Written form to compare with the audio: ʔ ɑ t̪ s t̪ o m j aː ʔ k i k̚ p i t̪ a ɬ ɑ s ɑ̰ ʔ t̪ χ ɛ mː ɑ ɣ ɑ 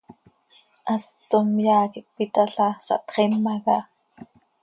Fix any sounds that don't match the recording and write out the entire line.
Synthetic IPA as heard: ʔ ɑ s t̪ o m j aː k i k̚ p i t̪ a ɬ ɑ s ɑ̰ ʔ t̪ χ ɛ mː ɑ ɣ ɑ